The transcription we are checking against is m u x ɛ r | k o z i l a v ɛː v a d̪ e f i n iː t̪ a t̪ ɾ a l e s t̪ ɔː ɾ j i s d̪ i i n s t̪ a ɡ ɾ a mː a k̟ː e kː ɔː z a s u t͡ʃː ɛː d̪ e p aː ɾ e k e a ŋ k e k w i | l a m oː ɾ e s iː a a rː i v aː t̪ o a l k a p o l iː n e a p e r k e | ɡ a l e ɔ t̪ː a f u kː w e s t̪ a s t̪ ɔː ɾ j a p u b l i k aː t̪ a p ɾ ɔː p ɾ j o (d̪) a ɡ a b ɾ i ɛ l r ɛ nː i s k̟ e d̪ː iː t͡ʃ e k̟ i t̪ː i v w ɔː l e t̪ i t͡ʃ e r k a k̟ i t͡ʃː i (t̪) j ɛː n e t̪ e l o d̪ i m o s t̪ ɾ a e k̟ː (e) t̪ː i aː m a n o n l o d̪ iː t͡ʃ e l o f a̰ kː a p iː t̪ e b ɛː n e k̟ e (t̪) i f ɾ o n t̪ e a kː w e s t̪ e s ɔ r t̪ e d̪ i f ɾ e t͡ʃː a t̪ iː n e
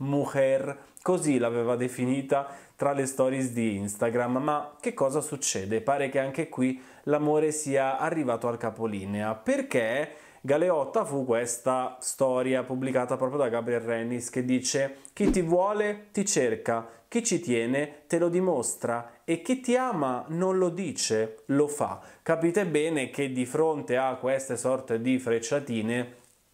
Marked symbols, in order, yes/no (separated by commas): yes, yes, no, no